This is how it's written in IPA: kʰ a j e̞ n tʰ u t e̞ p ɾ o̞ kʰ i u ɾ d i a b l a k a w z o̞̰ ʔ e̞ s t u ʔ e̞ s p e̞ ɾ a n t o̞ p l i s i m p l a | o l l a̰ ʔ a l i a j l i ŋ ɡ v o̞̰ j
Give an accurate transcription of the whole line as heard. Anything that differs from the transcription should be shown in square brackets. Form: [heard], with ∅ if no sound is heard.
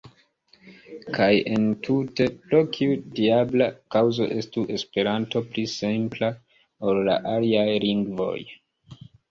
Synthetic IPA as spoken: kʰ a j e̞ n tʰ u t e̞ p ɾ o̞ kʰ i u [∅] d i a b l a k a w z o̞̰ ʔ e̞ s t u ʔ e̞ s p e̞ ɾ a n t o̞ p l i s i m p l a | o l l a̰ ʔ a l i a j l i ŋ ɡ v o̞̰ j